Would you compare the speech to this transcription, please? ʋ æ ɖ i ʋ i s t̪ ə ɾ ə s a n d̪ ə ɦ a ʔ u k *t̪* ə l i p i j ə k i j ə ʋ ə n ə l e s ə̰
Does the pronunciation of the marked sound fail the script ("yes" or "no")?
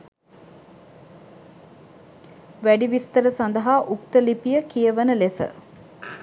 no